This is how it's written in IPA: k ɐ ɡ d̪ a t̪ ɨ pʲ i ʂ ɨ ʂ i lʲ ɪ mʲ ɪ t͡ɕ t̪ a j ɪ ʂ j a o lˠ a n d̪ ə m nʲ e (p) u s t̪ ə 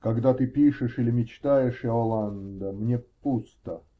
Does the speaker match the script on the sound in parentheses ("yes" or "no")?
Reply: yes